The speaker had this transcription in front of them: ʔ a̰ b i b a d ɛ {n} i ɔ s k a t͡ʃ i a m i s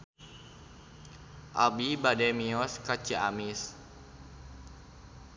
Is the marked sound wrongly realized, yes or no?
yes